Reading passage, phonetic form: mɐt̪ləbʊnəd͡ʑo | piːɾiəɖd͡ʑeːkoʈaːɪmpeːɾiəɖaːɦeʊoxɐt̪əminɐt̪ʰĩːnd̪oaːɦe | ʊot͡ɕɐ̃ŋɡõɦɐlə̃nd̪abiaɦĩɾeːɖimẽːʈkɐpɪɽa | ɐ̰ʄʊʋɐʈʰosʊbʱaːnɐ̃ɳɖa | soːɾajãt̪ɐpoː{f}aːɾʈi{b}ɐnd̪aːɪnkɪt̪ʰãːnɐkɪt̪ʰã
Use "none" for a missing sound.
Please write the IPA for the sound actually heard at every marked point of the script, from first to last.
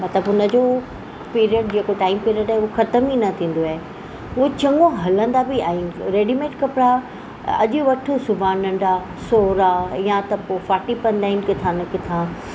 f, p

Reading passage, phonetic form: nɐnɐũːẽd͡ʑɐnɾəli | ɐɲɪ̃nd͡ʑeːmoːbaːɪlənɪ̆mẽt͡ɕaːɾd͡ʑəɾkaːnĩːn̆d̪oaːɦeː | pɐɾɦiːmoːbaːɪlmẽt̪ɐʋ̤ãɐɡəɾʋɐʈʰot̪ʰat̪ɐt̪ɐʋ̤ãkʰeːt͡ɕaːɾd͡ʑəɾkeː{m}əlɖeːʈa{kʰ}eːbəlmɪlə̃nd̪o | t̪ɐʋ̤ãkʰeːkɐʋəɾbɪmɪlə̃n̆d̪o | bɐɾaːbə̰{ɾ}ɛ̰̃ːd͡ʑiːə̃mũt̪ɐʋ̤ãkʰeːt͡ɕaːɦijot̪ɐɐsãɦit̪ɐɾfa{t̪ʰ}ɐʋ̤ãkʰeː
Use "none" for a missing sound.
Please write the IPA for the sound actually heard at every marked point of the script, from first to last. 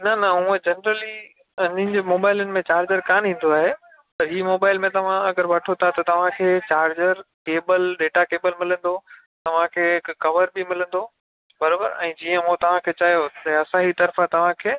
b, k, ɾ, t̪

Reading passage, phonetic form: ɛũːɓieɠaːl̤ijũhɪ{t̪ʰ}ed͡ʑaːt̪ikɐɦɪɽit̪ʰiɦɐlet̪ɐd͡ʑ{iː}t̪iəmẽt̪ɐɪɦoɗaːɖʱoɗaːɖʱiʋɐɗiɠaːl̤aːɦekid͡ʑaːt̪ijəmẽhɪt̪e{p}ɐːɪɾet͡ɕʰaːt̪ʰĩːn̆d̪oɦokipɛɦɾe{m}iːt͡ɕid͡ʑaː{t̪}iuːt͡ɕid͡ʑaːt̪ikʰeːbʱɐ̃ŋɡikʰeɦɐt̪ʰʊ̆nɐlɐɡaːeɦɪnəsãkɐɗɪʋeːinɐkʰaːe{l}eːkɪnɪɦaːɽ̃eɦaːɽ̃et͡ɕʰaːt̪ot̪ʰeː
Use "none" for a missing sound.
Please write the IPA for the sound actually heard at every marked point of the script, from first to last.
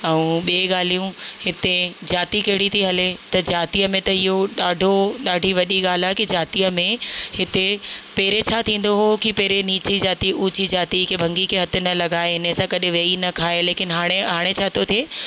t̪, aː, p, n, t̪, l

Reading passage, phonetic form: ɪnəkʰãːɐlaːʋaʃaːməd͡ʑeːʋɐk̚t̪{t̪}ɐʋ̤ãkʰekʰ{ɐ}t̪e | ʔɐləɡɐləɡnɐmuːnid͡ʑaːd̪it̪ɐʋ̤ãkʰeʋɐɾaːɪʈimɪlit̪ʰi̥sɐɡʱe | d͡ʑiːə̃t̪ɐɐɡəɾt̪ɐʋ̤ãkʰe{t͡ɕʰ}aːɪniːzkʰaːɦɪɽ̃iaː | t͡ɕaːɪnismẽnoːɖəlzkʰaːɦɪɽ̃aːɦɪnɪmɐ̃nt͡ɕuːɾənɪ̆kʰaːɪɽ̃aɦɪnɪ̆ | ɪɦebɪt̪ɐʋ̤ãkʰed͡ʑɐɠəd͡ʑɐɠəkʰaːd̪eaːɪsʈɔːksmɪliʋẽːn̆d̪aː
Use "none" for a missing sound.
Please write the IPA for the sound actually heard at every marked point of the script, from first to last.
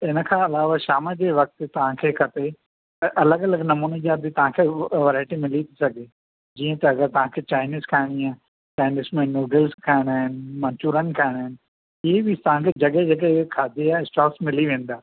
t̪, ɐ, t͡ɕ

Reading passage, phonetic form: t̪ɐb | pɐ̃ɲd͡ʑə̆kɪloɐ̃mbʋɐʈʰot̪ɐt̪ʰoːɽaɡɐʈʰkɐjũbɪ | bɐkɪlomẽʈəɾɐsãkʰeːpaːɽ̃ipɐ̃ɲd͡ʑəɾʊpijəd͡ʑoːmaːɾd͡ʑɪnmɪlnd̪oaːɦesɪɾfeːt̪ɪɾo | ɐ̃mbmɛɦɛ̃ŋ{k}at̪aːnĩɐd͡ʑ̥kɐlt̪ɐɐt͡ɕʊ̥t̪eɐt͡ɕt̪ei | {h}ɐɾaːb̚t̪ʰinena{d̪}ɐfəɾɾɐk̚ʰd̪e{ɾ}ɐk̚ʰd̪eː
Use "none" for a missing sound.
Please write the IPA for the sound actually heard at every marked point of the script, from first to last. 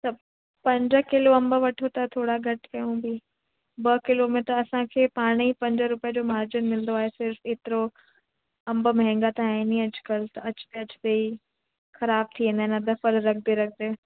ɡ, x, d̪, ɾ

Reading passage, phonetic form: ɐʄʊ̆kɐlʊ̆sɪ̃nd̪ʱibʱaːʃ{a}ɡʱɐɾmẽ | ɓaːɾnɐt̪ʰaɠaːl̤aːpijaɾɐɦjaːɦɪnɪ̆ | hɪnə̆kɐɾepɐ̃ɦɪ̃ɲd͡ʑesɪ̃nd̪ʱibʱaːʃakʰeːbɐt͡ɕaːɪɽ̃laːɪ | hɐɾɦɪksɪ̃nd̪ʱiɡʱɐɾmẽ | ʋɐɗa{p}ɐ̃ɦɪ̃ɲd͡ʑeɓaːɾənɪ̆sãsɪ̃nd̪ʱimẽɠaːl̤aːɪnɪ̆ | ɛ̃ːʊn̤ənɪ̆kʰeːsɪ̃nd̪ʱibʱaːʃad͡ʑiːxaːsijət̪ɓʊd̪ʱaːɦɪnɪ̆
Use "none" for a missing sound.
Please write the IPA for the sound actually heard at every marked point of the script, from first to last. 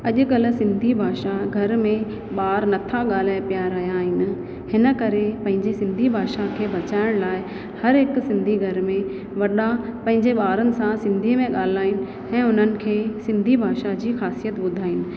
a, p

